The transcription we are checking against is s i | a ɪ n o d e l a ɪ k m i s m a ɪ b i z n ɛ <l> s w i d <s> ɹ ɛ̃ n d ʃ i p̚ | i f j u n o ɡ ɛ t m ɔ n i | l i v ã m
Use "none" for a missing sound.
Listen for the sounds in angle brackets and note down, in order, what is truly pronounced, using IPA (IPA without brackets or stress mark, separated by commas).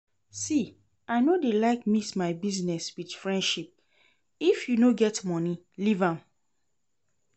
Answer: none, f